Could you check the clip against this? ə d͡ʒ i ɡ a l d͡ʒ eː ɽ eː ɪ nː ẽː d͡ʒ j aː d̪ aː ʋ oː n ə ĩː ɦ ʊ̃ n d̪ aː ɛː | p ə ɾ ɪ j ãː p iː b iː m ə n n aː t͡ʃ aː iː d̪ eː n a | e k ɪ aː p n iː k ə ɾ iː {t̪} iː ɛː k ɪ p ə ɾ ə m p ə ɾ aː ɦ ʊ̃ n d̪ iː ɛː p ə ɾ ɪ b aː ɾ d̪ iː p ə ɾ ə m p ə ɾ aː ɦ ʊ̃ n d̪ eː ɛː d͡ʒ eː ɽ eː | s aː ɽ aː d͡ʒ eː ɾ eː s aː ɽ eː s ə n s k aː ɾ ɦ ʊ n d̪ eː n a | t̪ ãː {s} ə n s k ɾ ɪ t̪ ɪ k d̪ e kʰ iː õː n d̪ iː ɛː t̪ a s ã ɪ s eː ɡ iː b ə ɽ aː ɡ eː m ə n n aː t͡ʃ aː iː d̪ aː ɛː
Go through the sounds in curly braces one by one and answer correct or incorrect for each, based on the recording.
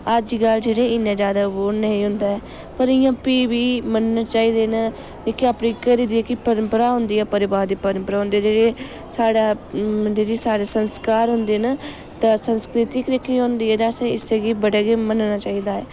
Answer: incorrect, correct

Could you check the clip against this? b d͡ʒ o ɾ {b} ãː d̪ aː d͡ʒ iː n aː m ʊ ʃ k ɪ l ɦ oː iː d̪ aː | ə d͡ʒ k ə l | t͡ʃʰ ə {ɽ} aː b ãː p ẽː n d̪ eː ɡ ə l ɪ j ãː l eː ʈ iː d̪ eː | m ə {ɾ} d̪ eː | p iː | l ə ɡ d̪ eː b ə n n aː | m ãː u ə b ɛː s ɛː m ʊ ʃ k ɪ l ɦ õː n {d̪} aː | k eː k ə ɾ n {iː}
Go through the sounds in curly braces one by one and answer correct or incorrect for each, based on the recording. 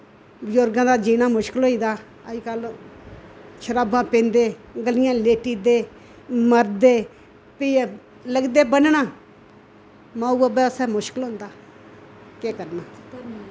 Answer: incorrect, incorrect, correct, correct, incorrect

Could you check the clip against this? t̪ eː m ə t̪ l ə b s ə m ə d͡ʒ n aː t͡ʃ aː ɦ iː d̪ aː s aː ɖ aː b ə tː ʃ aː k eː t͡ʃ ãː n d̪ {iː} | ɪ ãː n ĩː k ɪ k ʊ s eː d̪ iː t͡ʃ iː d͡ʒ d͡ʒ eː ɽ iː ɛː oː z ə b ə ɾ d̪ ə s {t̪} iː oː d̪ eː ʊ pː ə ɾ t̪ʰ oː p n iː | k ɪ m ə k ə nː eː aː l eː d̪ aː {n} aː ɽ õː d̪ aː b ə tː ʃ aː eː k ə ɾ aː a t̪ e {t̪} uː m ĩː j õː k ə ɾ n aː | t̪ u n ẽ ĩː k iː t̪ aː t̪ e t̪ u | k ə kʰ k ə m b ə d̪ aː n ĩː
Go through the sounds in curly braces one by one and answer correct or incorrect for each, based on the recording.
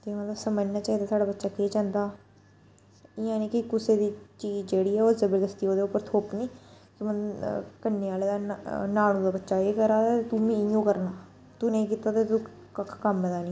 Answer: incorrect, correct, correct, correct

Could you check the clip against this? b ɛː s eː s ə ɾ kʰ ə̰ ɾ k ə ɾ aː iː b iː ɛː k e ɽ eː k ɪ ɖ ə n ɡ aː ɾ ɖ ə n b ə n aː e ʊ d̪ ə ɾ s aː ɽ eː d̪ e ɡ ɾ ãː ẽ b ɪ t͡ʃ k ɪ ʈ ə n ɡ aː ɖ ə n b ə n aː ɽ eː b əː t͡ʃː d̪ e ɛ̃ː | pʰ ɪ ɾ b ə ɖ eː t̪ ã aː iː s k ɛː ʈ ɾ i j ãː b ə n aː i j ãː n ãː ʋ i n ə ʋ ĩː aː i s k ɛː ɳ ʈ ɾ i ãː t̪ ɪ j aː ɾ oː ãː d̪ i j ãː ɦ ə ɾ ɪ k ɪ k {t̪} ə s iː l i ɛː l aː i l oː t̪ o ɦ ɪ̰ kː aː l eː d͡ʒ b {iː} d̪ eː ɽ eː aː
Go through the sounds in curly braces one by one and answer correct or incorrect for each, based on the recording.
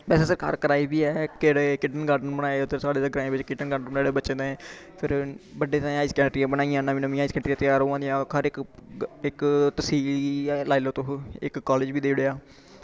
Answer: correct, correct

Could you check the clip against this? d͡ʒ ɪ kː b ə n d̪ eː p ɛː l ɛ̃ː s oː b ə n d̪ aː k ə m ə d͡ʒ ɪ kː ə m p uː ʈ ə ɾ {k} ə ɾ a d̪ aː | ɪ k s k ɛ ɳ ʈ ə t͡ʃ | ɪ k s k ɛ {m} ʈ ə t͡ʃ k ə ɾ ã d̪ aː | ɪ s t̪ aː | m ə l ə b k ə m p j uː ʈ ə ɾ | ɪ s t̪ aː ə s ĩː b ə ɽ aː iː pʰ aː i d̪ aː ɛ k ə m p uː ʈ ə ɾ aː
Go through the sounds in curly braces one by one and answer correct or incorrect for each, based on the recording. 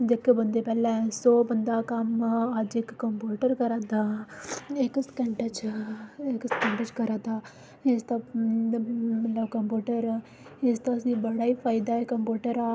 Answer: correct, incorrect

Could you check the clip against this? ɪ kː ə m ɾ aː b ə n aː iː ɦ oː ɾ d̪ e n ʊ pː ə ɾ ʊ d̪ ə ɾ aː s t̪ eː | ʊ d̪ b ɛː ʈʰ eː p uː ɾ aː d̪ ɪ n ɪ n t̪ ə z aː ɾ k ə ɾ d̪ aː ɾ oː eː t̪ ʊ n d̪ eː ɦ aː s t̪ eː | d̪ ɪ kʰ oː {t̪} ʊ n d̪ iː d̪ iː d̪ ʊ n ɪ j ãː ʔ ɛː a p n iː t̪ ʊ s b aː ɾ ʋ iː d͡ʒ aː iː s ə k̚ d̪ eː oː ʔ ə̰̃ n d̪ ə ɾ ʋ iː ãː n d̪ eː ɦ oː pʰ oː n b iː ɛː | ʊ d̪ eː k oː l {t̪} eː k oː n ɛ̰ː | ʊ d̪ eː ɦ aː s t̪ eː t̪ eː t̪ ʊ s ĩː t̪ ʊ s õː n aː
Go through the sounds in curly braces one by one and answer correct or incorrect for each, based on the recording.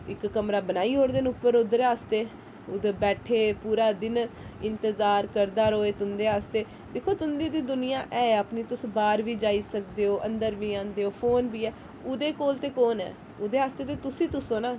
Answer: correct, correct

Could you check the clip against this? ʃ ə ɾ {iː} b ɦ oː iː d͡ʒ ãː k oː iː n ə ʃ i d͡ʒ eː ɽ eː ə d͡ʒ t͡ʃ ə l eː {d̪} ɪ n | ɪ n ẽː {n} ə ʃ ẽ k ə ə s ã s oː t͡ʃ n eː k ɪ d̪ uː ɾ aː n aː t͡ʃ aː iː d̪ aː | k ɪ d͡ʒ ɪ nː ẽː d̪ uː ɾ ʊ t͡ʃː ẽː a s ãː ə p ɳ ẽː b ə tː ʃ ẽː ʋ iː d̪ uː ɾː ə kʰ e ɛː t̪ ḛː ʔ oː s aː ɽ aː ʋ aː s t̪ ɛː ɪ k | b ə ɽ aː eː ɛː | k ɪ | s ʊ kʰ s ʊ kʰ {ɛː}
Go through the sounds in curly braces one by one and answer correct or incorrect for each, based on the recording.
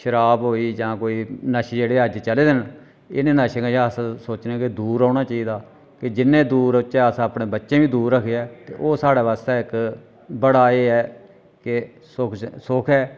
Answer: incorrect, correct, correct, correct

